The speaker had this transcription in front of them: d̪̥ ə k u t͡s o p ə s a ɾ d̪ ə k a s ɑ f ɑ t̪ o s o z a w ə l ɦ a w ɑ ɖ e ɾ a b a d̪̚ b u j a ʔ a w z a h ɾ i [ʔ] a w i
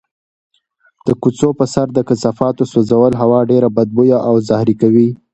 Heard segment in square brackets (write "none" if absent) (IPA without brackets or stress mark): k